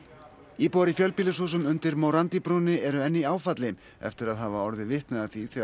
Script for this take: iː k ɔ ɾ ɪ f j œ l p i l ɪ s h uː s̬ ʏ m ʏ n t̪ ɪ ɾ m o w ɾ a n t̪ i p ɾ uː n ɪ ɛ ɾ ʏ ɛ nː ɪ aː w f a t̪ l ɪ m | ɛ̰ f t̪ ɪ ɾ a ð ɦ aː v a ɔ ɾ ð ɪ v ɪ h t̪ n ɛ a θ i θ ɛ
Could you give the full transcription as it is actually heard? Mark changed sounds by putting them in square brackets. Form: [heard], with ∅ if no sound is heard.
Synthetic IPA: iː [p] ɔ ɾ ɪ f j œ l p i l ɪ s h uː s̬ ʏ m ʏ n t̪ ɪ ɾ m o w ɾ a n t̪ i p ɾ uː n ɪ ɛ ɾ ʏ ɛ nː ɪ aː w f a t̪ l ɪ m | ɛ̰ f t̪ ɪ ɾ a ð ɦ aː v a ɔ ɾ ð ɪ v ɪ h t̪ n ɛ a θ i θ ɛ